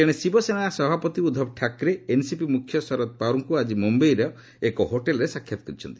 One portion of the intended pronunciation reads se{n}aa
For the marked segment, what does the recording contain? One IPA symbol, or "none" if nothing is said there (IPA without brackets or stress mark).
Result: n